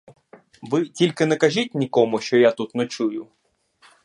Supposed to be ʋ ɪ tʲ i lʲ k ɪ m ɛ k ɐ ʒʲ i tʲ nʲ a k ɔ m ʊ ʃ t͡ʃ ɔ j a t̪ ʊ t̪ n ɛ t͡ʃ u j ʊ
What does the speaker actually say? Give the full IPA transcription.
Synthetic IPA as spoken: ʋ ɪ tʲ i lʲ k ɪ n ɛ k ɐ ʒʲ i tʲ nʲ i k ɔ m ʊ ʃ t͡ʃ ɔ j a t̪ u t̪ n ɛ t͡ʃ u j ʊ